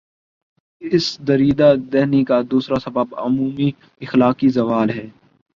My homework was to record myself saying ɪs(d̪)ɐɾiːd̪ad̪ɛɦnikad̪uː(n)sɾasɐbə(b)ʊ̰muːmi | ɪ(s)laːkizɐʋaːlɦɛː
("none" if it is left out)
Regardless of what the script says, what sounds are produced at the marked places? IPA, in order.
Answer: d̪, none, b, x

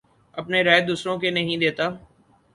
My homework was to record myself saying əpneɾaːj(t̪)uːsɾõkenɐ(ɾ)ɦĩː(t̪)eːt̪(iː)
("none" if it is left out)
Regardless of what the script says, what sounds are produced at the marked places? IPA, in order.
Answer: d̪, none, d̪, aː

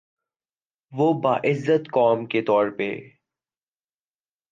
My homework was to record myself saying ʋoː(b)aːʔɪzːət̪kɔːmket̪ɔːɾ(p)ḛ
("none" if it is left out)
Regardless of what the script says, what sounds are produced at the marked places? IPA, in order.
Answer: b, p

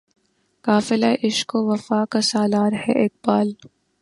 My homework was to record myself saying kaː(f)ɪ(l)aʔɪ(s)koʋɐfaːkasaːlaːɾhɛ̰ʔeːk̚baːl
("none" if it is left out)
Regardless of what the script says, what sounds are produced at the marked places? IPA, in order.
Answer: f, l, ʃ

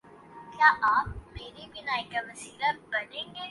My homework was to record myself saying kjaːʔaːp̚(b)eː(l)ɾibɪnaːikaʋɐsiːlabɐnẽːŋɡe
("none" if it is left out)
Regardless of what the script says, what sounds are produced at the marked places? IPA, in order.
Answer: m, none

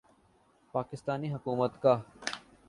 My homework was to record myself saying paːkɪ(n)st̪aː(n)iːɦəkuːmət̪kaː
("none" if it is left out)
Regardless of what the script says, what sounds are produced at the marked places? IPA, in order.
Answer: none, n

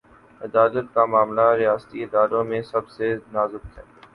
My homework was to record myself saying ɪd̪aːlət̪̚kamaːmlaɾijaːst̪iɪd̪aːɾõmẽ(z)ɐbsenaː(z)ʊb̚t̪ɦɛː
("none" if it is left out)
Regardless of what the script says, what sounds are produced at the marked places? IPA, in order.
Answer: s, z

